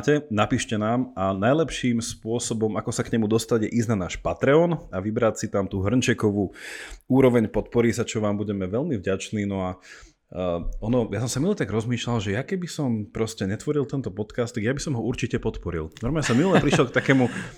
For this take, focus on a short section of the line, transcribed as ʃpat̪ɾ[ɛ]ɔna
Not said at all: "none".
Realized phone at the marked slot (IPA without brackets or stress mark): ɛ